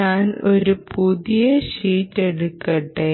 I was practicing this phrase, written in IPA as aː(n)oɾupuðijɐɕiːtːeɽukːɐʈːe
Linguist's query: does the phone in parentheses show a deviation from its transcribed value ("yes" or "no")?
no